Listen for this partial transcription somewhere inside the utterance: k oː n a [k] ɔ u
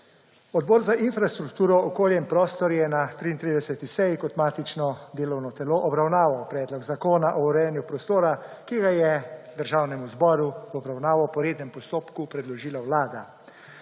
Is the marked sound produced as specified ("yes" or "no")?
no